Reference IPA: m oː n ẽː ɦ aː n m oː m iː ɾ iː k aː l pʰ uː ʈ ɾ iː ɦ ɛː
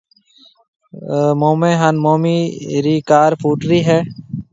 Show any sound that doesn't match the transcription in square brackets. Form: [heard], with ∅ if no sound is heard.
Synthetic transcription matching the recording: m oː [m] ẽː ɦ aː n m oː m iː ɾ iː k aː [ɾ] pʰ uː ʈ ɾ iː ɦ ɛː